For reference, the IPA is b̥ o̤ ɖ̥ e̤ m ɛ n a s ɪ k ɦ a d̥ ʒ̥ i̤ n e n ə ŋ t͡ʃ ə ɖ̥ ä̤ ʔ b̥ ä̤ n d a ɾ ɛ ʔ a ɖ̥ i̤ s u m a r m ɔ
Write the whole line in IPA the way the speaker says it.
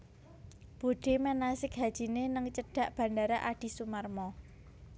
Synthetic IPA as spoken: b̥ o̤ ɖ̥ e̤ m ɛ n a s ɪ k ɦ a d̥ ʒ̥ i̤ n e n ə ŋ t͡ʃ ə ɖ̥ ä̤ ʔ b̥ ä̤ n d a ɾ a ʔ a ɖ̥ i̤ s u m a r m ɔ